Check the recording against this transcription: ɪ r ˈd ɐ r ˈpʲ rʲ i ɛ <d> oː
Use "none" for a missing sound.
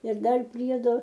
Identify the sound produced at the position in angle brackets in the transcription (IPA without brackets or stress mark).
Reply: d